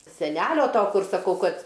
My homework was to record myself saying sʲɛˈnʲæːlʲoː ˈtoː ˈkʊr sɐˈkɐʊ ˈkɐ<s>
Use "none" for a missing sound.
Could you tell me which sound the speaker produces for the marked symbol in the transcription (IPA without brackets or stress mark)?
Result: t